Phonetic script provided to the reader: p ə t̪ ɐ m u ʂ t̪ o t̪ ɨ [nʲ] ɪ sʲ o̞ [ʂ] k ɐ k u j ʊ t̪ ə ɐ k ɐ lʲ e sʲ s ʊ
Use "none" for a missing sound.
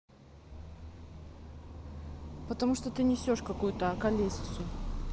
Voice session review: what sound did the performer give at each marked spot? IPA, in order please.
nʲ, ʂ

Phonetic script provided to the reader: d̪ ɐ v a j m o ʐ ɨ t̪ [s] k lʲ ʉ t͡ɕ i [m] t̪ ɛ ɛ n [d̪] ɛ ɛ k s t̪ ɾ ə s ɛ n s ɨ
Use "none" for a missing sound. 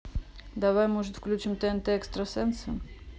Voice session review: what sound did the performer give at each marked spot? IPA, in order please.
f, m, t̪

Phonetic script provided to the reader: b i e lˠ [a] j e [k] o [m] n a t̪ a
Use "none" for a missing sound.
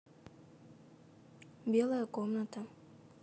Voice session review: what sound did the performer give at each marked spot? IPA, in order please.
a, k, m

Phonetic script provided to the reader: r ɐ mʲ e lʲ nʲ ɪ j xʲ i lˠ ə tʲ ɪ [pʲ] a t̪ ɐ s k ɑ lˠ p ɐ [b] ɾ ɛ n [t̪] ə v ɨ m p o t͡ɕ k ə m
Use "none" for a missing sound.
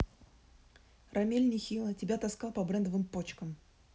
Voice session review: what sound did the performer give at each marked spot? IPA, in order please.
bʲ, b, d̪

